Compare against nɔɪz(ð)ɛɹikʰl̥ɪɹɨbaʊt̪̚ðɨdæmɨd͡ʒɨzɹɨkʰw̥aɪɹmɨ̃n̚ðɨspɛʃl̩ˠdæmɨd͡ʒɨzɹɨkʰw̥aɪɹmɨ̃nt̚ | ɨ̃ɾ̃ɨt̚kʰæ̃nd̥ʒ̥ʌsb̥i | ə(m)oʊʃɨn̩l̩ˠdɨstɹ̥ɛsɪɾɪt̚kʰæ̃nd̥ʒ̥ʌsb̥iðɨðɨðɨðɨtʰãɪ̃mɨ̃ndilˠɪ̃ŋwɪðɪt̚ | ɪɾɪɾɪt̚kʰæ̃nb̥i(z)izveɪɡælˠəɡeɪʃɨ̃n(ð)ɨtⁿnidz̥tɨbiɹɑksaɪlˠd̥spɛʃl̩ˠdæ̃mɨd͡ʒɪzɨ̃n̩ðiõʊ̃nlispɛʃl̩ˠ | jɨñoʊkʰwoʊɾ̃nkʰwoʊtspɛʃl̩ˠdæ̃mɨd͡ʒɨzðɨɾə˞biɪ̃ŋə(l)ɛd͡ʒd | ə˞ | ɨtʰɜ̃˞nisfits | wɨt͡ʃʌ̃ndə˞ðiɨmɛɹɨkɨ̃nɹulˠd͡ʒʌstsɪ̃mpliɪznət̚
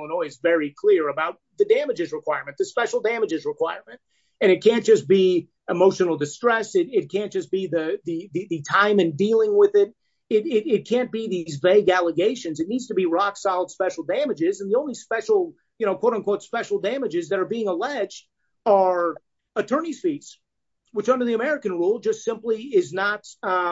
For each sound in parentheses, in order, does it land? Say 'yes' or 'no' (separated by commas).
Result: no, yes, no, no, yes